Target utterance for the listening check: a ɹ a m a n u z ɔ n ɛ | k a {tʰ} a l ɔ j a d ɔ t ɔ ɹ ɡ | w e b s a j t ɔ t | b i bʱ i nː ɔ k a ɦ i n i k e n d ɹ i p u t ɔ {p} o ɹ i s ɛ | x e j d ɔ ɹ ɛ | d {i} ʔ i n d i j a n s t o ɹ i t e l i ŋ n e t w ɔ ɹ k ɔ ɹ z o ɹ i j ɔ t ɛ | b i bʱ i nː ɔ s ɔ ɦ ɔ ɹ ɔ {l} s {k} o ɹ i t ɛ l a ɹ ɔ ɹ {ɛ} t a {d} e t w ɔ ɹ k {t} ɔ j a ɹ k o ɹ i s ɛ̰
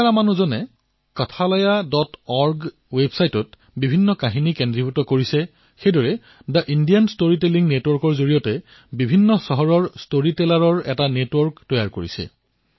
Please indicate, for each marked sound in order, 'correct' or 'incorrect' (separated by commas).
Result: correct, incorrect, incorrect, incorrect, incorrect, correct, incorrect, correct